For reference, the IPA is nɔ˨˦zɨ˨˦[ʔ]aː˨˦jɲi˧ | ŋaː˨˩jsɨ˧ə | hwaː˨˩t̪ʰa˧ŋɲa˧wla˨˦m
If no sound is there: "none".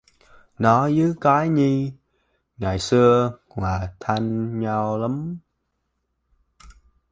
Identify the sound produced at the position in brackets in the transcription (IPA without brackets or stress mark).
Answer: k